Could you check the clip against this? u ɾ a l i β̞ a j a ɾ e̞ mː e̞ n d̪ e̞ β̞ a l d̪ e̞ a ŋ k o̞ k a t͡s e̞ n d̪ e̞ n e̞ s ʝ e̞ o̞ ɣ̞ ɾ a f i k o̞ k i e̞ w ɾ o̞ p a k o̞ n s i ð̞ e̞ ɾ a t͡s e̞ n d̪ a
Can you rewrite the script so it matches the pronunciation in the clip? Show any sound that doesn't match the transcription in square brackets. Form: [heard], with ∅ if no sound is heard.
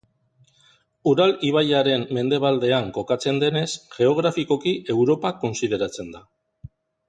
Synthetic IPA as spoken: u ɾ a l i β̞ a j a ɾ e̞ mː e̞ n d̪ e̞ β̞ a l d̪ e̞ a ŋ k o̞ k a t͡s e̞ n d̪ e̞ n e̞ s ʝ e̞ o̞ ɣ̞ ɾ a f i k o̞ k i e̞ w ɾ o̞ p a k o̞ n s i ð̞ e̞ ɾ a t͡s e̞ n d̪ a

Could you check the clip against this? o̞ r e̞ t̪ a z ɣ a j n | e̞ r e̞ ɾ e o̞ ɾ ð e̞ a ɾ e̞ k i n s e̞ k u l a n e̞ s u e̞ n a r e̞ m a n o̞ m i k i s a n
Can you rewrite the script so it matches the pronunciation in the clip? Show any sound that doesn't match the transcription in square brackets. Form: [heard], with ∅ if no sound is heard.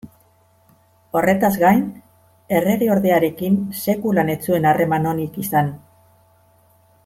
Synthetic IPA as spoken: o̞ r e̞ t̪ a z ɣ a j n | e̞ r e̞ ɾ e o̞ ɾ ð e̞ a ɾ e̞ k i n s e̞ k u l a n e̞ [t͡s] u e̞ n a r e̞ m a n o̞ [n] i k i s a n

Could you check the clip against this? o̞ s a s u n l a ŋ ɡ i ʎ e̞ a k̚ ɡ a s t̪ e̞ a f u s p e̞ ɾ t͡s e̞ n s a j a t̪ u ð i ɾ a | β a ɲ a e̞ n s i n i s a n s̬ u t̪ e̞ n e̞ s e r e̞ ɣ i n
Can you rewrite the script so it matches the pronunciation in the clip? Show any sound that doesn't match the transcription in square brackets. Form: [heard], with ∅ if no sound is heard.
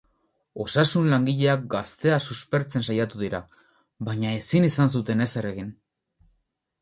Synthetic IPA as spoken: o̞ s a s u n l a ŋ ɡ i ʎ e̞ a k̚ ɡ a s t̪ e̞ a [s] u s p e̞ ɾ t͡s e̞ n s a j a t̪ u ð i ɾ a | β a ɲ a e̞ [∅] s i n i s a n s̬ u t̪ e̞ n e̞ s e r e̞ ɣ i n

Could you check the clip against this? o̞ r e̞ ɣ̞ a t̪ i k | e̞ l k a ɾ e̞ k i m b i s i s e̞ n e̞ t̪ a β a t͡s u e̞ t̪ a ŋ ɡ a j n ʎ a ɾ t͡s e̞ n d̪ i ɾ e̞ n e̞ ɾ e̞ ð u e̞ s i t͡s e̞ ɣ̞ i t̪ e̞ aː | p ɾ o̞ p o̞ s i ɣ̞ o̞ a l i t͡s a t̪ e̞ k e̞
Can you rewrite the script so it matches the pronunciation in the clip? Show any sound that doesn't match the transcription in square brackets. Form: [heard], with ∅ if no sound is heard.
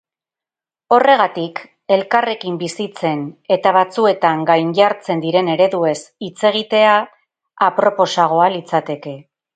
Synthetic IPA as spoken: o̞ r e̞ ɣ̞ a t̪ i k | e̞ l k a [r] e̞ k i m b i s i [t͡s] e̞ n e̞ t̪ a β a t͡s u e̞ t̪ a ŋ ɡ a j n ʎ a ɾ t͡s e̞ n d̪ i ɾ e̞ n e̞ ɾ e̞ ð u e̞ s i t͡s e̞ ɣ̞ i t̪ e̞ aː | p ɾ o̞ p o̞ s [a] ɣ̞ o̞ a l i t͡s a t̪ e̞ k e̞

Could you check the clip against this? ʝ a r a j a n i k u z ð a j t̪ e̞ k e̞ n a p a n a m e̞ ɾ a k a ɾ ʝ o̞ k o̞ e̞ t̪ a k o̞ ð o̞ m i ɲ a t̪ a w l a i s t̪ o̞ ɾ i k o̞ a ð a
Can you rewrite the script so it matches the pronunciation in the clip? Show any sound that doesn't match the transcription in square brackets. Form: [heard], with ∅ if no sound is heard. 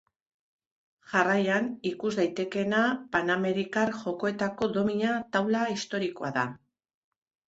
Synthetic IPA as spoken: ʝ a r a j a n i k u z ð a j t̪ e̞ k e̞ n a p a n a m e̞ ɾ [i] k a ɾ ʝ o̞ k o̞ e̞ t̪ a k o̞ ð o̞ m i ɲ a t̪ a w l a i s t̪ o̞ ɾ i k o̞ a ð a

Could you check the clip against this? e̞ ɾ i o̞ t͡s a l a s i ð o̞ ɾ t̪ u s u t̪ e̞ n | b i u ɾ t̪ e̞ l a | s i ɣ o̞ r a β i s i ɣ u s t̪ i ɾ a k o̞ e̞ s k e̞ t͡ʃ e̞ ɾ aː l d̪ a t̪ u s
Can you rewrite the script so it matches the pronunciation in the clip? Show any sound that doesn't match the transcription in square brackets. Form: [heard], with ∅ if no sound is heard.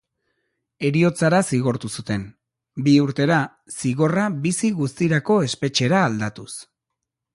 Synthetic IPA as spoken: e̞ ɾ i o̞ t͡s a [ɾ] a s i [ɣ] o̞ ɾ t̪ u s u t̪ e̞ n | b i u ɾ t̪ e̞ [ɾ] a | s i ɣ o̞ r a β i s i ɣ u s t̪ i ɾ a k o̞ e̞ s [p] e̞ t͡ʃ e̞ ɾ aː l d̪ a t̪ u s

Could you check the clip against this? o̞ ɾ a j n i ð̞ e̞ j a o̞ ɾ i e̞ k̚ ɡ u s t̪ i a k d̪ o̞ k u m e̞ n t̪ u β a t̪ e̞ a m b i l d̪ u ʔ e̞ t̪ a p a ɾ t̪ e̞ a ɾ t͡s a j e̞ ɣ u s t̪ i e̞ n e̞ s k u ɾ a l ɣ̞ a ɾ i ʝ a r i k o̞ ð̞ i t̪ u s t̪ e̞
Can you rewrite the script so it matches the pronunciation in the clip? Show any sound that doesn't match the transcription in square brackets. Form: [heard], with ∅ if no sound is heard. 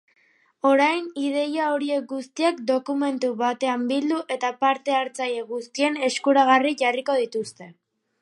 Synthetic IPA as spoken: o̞ ɾ a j n i ð̞ e̞ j a o̞ ɾ i e̞ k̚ ɡ u s t̪ i a k d̪ o̞ k u m e̞ n t̪ u β a t̪ e̞ a m b i l d̪ u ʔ e̞ t̪ a p a ɾ t̪ e̞ a ɾ t͡s a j e̞ ɣ u s t̪ i e̞ n e̞ s k u ɾ a [∅] ɣ̞ a [r] i ʝ a r i k o̞ ð̞ i t̪ u s t̪ e̞

